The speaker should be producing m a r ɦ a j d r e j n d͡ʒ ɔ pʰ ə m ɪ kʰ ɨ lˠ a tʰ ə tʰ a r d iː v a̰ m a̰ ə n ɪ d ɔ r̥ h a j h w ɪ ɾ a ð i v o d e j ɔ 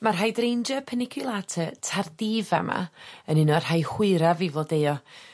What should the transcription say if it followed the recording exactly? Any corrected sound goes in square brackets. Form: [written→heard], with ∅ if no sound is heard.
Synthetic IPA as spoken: m a r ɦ a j d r e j n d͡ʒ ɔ pʰ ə [m→n] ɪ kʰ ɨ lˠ a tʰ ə tʰ a r d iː v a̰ m a̰ ə n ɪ [d→n] ɔ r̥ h a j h w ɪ ɾ a [ð→v] i v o d e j ɔ